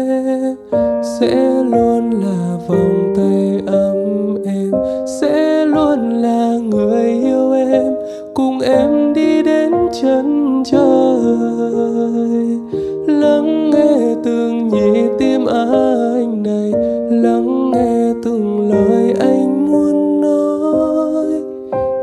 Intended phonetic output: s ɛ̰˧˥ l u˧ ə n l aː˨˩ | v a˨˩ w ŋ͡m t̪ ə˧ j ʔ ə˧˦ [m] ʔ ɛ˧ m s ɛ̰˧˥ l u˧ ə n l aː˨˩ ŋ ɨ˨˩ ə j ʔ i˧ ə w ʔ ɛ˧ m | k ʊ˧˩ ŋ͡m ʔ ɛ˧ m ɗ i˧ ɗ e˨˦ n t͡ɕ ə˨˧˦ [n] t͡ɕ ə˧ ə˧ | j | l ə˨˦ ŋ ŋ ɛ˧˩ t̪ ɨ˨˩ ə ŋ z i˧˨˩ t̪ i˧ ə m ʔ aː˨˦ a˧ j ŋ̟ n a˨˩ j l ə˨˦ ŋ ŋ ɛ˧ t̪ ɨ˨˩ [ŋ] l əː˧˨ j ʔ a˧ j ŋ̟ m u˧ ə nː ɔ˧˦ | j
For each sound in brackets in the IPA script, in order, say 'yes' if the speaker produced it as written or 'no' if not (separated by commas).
yes, yes, yes